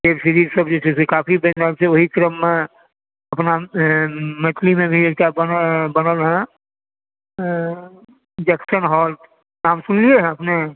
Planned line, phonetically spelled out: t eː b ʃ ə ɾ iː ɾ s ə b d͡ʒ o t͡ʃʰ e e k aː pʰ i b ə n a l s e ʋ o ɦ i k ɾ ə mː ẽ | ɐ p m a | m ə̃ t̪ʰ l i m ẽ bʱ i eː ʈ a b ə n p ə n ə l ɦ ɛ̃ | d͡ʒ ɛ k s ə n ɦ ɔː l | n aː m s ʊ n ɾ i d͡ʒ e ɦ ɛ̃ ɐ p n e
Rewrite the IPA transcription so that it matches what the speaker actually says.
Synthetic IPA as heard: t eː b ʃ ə ɾ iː ɾ s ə b d͡ʒ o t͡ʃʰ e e k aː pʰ i b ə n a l s e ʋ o ɦ i k ɾ ə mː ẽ | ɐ p n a | m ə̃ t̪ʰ l i m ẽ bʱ i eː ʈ a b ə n b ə n ə l ɦ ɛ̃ | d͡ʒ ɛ k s ə n ɦ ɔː l | n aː m s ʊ n l i e ɦ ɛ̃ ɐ p n e